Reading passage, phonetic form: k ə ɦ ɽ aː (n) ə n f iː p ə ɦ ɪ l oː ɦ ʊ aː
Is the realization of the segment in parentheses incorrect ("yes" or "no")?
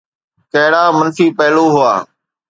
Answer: yes